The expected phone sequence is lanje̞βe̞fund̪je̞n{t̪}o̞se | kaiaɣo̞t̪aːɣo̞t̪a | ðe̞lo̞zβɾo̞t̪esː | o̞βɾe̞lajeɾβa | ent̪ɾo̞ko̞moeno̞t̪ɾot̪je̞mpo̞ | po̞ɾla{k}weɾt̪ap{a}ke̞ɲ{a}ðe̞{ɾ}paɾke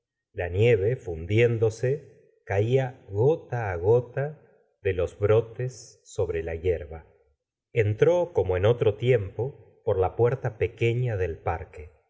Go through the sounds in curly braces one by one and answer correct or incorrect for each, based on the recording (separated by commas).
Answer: incorrect, incorrect, incorrect, correct, incorrect